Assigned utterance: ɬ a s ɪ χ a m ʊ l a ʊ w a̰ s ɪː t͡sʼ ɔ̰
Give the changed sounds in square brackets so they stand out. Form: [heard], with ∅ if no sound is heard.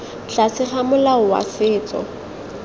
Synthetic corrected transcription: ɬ a s ɪ χ a m ʊ l a ʊ w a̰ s ɪː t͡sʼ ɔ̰